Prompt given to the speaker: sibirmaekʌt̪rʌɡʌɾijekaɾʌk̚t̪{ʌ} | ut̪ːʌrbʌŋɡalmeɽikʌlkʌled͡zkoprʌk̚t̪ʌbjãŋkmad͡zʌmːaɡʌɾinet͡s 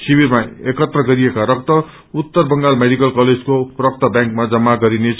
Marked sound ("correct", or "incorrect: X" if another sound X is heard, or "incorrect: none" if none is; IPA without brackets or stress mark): correct